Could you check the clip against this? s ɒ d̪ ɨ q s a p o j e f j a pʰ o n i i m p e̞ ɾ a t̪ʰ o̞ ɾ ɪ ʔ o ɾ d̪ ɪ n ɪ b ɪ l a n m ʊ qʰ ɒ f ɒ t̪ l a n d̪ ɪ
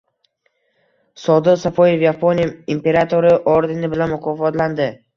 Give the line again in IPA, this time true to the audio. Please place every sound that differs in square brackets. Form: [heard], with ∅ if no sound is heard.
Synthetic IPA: s ɒ d̪ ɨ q s a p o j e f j a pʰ o n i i m p e̞ ɾ a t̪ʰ o̞ ɾ ɪ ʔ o ɾ d̪ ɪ n ɪ b ɪ l a n m ʊ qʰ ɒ f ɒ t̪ l a n d̪ ɪ